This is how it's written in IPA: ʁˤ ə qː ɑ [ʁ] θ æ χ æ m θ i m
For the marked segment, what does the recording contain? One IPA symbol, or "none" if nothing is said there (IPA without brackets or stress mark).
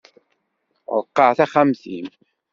ʕ